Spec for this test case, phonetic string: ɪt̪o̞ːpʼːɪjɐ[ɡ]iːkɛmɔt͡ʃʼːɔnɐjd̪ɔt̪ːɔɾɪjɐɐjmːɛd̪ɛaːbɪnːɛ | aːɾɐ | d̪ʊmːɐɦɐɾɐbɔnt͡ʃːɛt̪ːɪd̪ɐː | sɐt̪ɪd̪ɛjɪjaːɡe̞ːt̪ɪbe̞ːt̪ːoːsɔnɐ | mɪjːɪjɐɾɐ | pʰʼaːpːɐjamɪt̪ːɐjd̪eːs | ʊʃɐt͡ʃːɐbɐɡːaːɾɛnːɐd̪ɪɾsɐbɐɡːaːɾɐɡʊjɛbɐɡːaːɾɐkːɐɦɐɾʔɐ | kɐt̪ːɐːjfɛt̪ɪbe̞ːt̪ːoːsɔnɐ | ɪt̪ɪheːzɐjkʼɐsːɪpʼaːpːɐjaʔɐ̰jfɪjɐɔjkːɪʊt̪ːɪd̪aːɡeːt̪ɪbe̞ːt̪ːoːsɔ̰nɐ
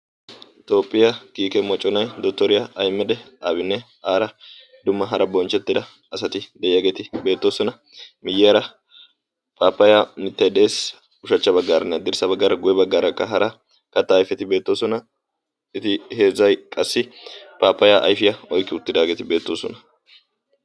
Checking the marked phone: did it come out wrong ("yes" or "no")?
yes